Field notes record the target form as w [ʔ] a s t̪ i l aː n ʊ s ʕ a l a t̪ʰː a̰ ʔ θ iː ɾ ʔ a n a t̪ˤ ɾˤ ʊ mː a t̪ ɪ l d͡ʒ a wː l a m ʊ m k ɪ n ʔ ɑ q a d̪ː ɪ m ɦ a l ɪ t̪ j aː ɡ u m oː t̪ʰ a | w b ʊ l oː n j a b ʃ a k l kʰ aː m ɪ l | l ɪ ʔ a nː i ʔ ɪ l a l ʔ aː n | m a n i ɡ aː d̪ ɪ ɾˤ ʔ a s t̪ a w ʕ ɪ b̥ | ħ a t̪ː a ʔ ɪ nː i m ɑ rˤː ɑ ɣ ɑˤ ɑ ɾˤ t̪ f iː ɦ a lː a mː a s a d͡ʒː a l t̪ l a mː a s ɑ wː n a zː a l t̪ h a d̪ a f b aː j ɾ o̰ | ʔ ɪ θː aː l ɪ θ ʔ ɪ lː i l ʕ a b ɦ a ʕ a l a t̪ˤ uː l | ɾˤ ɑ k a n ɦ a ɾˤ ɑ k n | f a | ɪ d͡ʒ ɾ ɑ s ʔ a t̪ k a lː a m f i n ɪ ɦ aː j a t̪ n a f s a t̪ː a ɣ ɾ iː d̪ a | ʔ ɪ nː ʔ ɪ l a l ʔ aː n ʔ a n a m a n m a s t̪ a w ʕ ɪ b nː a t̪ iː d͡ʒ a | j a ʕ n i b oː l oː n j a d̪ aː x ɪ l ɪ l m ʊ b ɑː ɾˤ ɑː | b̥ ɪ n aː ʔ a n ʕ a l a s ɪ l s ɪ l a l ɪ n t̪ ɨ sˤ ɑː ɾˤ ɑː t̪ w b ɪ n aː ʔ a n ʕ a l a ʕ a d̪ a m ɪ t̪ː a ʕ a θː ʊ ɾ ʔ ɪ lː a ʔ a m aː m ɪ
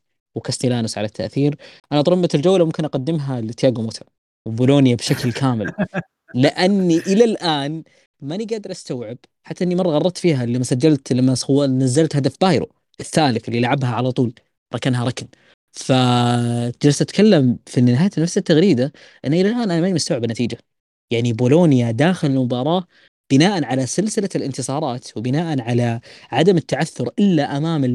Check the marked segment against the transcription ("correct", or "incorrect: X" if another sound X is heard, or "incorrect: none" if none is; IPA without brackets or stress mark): incorrect: k